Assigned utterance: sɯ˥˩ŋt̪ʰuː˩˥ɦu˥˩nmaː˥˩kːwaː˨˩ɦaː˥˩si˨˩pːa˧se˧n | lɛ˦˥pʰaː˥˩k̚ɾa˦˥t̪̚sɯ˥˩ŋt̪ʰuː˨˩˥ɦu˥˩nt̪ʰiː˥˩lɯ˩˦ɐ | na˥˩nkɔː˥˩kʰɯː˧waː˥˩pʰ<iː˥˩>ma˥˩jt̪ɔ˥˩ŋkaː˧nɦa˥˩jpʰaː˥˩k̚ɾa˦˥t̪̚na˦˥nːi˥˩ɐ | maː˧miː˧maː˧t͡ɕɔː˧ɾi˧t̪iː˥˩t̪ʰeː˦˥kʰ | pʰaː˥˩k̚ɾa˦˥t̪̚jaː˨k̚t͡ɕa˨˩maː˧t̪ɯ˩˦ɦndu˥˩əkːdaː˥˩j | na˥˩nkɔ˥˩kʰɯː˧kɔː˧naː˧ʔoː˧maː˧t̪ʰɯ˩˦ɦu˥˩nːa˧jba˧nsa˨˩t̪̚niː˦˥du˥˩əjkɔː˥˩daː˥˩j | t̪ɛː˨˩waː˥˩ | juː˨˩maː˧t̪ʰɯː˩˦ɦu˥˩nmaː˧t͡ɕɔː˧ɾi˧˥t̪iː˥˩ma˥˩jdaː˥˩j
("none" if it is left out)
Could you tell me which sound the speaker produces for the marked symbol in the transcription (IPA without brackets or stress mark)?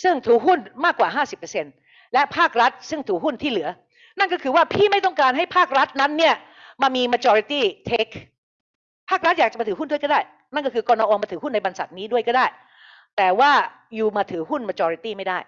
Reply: iː˥˩